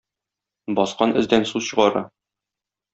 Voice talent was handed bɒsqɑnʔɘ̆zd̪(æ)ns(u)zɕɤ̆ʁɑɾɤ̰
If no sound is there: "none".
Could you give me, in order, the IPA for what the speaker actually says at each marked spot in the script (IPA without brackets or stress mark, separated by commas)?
æ, u